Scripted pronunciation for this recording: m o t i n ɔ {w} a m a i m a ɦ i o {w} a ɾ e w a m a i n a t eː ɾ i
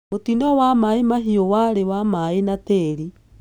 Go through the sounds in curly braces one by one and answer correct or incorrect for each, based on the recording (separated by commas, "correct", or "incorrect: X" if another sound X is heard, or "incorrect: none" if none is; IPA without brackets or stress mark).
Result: correct, correct